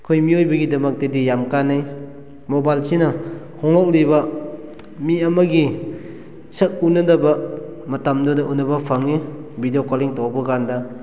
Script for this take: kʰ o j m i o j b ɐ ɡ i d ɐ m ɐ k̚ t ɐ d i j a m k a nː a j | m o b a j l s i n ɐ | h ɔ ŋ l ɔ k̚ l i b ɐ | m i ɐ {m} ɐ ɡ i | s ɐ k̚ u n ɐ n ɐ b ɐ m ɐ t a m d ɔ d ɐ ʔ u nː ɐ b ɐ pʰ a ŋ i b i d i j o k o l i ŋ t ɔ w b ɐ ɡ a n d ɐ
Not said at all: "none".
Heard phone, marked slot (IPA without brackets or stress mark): m